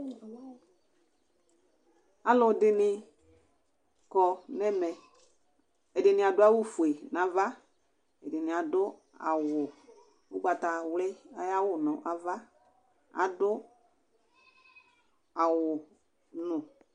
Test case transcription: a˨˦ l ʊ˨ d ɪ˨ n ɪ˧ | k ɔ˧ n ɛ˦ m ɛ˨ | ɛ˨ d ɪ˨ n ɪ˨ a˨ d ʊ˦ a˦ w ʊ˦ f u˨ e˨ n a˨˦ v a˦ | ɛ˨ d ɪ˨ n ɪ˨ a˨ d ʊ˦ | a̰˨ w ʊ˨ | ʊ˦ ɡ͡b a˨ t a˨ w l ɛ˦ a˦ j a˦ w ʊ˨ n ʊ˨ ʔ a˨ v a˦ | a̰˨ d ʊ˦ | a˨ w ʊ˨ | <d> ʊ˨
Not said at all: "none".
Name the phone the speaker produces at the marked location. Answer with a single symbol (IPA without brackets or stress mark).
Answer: n